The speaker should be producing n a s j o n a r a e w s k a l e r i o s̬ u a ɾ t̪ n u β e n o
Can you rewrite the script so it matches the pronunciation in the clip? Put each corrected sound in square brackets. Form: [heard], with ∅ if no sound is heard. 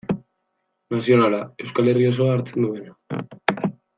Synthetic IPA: n a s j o n a [l] a e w s k a l e r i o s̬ [o] a ɾ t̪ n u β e n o